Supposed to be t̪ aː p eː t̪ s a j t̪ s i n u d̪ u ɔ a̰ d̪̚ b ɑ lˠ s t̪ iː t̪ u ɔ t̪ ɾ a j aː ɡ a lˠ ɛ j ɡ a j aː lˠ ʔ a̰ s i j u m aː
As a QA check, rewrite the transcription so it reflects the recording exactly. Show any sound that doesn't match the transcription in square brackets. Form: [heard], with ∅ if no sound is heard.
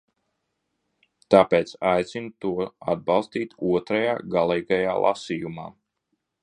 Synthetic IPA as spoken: t̪ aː p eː t̪ s a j t̪ s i n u [t̪] u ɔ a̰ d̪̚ b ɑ lˠ s t̪ iː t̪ u ɔ t̪ ɾ a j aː ɡ a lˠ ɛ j ɡ a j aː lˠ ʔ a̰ s i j u m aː